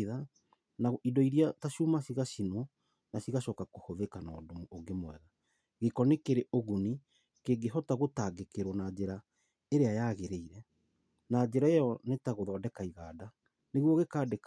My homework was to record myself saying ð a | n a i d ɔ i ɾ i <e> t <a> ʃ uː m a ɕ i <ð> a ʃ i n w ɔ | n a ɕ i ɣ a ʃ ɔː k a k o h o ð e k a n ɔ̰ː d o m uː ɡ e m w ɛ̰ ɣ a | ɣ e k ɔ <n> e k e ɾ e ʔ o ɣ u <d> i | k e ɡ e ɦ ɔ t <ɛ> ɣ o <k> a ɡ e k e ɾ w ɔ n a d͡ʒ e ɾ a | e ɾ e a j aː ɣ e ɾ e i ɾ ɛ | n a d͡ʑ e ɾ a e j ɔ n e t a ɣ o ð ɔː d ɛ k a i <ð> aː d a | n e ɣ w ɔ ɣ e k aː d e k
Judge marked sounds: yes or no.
no, yes, no, yes, no, no, no, no

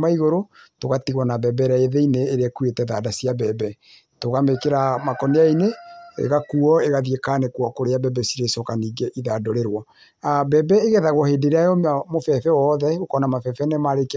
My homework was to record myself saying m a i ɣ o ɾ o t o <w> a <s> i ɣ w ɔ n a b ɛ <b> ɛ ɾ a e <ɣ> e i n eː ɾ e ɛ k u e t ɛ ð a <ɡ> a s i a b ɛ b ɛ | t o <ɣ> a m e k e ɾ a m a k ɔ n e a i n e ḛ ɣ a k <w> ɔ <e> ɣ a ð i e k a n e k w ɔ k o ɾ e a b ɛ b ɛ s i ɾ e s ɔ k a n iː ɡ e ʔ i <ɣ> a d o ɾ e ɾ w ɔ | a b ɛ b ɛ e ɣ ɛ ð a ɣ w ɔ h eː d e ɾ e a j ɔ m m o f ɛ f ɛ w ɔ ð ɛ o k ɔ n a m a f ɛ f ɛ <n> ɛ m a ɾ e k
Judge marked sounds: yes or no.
no, no, yes, no, no, yes, no, yes, no, yes

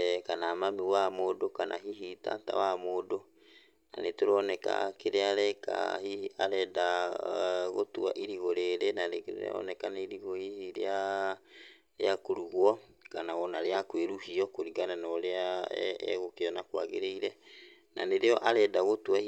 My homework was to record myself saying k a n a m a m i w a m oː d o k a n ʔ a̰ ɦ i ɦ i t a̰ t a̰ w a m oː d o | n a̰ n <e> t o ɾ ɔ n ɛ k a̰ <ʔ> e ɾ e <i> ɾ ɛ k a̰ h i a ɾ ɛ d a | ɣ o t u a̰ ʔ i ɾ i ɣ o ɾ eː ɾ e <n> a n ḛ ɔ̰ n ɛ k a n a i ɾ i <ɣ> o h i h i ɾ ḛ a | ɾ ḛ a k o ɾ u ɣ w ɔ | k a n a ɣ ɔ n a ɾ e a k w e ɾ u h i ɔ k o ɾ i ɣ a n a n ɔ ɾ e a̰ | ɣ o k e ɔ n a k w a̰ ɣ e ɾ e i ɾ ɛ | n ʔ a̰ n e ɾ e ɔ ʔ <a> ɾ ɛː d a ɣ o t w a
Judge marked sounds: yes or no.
yes, no, no, yes, yes, yes

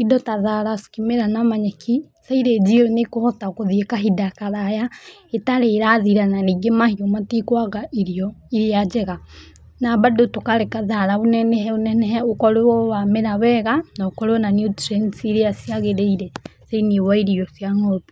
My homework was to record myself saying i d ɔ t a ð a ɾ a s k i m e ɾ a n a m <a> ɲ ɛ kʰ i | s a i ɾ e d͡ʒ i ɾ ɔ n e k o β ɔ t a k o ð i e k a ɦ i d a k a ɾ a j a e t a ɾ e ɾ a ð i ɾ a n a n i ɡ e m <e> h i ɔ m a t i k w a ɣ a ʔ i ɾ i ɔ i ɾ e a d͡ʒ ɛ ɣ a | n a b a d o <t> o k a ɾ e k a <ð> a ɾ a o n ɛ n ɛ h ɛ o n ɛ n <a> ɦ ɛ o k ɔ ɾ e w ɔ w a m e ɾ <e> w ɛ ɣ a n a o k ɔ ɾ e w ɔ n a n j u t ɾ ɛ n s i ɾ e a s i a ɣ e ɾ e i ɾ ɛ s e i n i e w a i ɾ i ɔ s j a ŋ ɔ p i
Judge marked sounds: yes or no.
yes, no, yes, yes, no, no

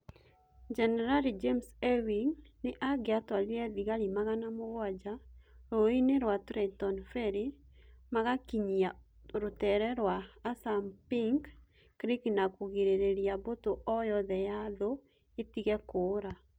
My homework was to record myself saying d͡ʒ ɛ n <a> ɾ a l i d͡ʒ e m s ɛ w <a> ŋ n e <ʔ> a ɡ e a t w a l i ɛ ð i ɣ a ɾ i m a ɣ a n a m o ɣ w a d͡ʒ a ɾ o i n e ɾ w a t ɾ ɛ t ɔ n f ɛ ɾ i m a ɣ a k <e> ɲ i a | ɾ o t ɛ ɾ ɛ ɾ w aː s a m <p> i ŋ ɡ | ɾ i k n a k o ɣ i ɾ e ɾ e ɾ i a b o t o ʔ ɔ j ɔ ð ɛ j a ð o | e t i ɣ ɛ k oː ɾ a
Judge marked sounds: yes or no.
no, no, yes, no, yes

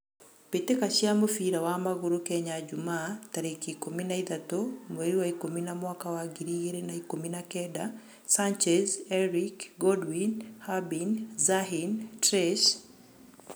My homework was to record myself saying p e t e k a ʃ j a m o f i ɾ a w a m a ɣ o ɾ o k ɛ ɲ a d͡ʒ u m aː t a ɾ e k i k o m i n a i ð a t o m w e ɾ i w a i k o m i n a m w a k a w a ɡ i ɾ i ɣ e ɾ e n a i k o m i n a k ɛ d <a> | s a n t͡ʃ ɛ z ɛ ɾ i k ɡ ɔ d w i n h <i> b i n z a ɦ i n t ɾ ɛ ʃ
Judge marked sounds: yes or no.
yes, no

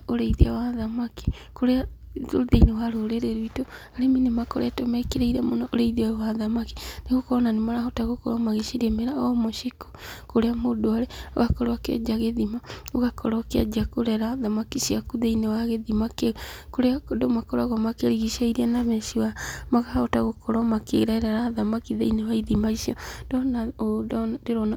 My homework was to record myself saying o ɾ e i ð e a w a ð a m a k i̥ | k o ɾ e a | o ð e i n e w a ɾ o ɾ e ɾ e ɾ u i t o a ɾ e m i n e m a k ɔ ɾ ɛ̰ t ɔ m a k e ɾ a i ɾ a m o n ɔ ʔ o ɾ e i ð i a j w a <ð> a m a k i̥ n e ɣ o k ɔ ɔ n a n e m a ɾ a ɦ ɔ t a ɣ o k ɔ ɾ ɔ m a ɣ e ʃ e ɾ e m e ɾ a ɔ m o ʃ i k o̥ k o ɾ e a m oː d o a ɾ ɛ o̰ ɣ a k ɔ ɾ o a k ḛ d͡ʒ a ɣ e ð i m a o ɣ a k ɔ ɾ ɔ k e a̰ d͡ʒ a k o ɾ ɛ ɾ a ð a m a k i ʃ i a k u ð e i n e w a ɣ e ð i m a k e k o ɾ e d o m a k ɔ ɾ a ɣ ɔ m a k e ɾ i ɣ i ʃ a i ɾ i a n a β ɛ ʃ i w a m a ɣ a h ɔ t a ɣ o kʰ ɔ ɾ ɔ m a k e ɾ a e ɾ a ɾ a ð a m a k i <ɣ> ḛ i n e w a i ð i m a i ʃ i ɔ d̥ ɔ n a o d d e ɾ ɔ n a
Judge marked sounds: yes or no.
yes, no

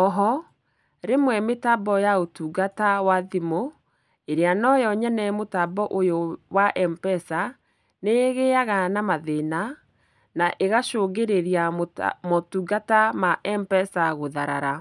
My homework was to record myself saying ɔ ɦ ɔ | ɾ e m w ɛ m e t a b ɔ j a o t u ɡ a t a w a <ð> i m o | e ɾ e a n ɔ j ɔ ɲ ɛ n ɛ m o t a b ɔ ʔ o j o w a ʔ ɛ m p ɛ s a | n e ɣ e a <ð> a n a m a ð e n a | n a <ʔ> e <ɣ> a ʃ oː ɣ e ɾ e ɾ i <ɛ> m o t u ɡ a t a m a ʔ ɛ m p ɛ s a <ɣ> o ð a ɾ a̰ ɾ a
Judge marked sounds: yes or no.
yes, no, yes, yes, no, yes

